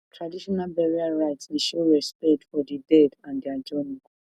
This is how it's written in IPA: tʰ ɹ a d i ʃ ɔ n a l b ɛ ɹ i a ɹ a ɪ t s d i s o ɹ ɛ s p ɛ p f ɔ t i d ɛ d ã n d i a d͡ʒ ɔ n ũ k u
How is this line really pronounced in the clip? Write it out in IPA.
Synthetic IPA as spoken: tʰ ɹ a d i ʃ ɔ n a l b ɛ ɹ i a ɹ a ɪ t s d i ʃ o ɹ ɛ s p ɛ t f ɔ d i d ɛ d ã n d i a d͡ʒ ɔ n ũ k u